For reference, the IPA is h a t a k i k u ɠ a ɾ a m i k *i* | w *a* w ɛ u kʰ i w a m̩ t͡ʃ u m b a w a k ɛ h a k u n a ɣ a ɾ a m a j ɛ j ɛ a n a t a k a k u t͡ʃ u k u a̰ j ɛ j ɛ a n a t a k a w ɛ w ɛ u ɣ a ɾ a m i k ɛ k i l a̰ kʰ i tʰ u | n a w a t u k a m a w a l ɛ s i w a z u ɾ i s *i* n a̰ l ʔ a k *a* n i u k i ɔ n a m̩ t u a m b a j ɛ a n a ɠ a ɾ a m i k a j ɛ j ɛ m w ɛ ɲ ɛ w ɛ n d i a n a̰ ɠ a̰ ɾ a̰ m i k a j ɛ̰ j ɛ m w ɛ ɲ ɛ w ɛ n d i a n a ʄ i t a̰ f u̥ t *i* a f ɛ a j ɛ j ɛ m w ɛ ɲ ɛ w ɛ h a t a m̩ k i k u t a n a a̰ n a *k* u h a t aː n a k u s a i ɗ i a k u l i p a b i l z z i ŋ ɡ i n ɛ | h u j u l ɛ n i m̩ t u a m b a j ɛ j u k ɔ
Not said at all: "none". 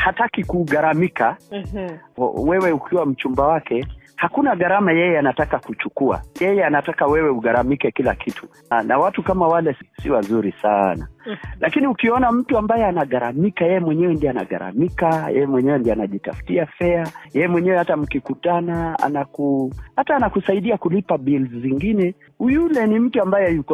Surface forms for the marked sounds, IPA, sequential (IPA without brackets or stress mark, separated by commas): a, ɛ, a, i, i, k